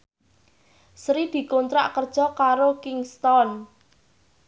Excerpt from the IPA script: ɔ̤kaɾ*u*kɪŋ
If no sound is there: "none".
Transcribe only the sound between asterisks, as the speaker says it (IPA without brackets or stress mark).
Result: o